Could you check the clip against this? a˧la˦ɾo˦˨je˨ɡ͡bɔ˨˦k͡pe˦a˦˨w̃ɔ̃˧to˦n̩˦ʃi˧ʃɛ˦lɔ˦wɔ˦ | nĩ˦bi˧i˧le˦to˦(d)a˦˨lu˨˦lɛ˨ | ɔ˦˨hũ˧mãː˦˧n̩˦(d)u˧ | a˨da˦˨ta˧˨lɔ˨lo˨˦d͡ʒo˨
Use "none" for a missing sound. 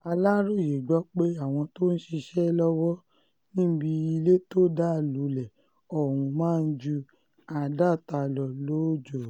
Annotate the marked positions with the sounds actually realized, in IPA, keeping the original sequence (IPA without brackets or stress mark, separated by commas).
d, d͡ʒ